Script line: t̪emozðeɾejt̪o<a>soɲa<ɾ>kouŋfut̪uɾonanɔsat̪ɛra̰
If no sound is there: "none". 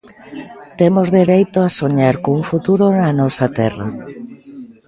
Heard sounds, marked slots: a, ɾ

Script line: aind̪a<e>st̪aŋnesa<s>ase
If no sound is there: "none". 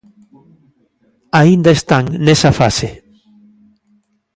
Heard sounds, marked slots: e, f

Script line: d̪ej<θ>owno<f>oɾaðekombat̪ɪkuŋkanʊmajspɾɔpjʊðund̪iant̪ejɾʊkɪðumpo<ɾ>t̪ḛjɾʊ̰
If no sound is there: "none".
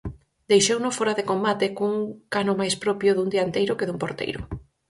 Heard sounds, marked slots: ʃ, f, ɾ

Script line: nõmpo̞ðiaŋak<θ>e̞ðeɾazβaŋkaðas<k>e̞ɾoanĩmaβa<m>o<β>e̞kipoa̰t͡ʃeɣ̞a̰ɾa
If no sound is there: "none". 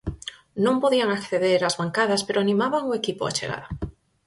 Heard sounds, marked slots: θ, p, ŋ, none

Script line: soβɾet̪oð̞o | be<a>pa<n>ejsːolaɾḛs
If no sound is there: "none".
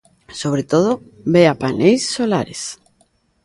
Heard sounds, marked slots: a, n

